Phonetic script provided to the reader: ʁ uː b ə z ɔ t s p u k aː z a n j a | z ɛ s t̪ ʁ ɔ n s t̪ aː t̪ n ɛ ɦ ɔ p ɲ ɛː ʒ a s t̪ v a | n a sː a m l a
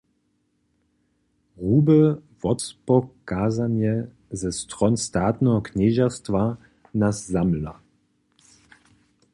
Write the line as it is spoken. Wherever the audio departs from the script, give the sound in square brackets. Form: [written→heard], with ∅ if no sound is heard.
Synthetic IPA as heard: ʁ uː b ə [z→v] ɔ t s p [u→ɔ] k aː z a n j [a→ɛ] | z ɛ s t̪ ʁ ɔ n s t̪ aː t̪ n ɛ ɦ ɔ [p→k] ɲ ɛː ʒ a s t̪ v a | n a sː a m l a